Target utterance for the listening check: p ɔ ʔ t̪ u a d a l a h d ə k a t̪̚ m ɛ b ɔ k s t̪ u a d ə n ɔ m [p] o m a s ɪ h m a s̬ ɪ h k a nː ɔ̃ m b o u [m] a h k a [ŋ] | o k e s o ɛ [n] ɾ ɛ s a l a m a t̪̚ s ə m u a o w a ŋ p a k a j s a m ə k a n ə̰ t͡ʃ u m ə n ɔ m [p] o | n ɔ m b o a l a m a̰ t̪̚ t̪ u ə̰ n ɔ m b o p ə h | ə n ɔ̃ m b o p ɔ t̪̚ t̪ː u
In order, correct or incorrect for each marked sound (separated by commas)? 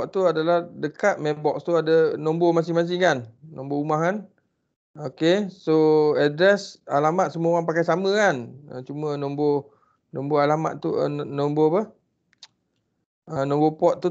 incorrect, correct, incorrect, incorrect, incorrect